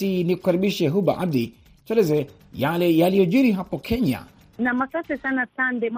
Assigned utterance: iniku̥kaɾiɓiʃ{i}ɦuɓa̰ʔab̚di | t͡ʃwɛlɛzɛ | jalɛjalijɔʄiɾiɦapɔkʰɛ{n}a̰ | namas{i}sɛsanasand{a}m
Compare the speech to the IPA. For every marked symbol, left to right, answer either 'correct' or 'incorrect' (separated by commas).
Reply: incorrect, incorrect, incorrect, incorrect